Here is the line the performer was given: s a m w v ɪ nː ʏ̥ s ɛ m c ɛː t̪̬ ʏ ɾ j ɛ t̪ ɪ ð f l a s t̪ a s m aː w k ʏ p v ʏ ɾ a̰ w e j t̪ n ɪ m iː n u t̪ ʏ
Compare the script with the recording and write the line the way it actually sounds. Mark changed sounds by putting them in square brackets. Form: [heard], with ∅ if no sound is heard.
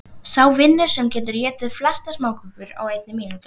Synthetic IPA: s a [∅] w v ɪ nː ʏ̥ s ɛ m c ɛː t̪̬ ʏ ɾ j [ɛː] t̪ ɪ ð f l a s t̪ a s m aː w k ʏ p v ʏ ɾ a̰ w e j t̪ n ɪ m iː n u t̪ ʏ